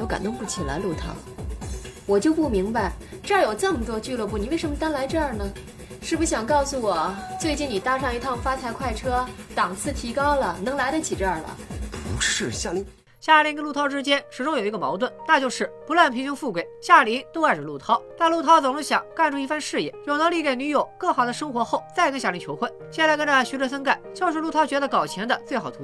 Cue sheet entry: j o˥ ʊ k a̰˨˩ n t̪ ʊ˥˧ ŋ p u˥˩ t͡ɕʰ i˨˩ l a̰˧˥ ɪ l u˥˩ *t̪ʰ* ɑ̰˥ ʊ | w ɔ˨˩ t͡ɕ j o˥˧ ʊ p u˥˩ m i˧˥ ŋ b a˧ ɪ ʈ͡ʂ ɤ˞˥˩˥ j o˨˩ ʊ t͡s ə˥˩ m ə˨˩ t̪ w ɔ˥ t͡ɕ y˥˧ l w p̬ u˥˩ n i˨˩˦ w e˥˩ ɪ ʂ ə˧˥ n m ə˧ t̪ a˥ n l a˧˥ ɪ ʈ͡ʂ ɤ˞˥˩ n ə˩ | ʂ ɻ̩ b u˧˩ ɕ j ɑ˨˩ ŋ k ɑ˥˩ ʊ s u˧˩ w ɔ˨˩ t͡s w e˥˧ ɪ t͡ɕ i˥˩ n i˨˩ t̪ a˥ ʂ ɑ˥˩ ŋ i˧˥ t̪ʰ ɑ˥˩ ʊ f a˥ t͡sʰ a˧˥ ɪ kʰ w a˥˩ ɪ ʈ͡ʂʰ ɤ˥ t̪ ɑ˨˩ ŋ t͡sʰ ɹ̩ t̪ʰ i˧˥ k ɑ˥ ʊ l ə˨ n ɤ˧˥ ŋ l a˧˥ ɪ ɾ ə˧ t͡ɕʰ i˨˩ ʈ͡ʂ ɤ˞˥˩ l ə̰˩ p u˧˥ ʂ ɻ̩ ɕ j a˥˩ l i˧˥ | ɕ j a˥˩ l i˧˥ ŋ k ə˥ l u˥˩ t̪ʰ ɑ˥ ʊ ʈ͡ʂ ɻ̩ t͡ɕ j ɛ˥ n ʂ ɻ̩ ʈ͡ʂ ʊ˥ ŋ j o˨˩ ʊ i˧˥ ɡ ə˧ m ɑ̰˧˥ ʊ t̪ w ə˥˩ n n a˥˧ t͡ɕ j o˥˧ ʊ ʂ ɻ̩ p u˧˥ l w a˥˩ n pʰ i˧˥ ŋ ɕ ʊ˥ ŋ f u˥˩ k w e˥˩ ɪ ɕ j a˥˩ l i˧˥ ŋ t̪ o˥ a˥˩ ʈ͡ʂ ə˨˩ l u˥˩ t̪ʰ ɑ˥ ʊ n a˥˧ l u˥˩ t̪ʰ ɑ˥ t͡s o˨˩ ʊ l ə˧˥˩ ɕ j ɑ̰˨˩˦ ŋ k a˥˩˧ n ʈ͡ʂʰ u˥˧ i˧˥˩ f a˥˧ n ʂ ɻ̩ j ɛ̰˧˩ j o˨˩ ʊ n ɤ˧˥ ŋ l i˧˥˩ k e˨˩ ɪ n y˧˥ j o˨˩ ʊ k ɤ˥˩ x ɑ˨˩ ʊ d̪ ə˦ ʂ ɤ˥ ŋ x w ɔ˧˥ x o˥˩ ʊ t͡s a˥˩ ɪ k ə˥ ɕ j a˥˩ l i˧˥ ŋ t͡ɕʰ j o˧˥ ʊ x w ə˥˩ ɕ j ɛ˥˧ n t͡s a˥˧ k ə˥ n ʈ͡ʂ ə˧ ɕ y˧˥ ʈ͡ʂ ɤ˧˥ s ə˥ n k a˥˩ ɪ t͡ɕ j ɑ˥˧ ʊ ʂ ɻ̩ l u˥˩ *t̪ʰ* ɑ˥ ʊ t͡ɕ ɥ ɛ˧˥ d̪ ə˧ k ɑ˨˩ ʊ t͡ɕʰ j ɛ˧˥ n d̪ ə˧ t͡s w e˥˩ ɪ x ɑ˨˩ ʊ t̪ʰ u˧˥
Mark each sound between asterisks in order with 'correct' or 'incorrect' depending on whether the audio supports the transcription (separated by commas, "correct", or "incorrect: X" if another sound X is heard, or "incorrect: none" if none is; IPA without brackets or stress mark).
correct, correct